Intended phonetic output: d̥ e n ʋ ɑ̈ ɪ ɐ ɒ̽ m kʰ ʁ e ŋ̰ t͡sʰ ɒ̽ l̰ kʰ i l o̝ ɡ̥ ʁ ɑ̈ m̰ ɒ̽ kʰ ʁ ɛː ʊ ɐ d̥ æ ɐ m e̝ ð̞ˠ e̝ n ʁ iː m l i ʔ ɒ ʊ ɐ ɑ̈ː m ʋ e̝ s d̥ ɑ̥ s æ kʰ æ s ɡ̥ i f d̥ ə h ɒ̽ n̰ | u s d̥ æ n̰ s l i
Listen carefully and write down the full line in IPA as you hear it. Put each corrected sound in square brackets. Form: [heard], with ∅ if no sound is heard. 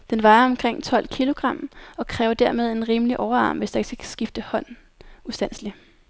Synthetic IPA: d̥ e n ʋ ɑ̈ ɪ ɐ ɒ̽ m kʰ ʁ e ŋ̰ t͡sʰ ɒ̽ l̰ kʰ i l o̝ ɡ̥ ʁ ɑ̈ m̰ ɒ̽ kʰ ʁ ɛː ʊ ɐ d̥ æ ɐ m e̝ ð̞ˠ e̝ n ʁ iː m l i ʔ ɒ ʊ ɐ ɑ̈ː m ʋ e̝ s d̥ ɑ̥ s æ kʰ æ s ɡ̥ i f d̥ ə h ɒ̽ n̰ | u s d̥ æ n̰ s l i